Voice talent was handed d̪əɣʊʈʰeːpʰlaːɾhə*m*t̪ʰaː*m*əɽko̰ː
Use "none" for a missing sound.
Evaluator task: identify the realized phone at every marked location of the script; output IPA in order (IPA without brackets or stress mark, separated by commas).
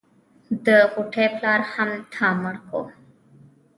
m, m